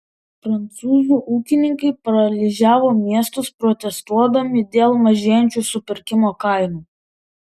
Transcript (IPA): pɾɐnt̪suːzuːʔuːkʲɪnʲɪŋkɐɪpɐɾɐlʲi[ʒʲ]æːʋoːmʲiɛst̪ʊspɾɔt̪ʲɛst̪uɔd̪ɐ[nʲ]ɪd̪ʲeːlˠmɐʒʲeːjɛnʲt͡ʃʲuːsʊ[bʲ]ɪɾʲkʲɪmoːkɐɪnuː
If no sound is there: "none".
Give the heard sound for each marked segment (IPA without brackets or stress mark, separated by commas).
ʒʲ, mʲ, pʲ